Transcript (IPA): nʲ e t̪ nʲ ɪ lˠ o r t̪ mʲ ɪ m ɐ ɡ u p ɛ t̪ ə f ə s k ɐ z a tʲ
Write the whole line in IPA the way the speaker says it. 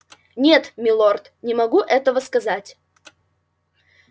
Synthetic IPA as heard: nʲ e t̪ mʲ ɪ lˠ o r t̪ nʲ ɪ m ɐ ɡ u ʔ ɛ t̪ ə v ə s k ɐ z a tʲ